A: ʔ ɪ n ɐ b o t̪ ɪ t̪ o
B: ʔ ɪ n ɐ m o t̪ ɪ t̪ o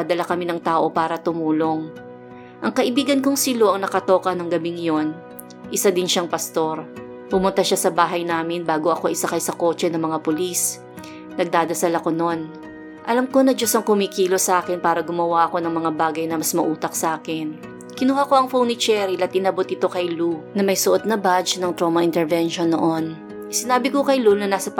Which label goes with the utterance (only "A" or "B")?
A